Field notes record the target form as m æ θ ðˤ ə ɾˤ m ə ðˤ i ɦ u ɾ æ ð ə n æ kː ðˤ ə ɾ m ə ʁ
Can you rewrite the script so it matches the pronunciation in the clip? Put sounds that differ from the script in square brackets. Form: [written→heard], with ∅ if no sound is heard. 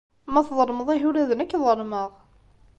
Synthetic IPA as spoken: m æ θ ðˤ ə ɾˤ m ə ðˤ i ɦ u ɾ æ ð ə n æ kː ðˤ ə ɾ m ə ʁ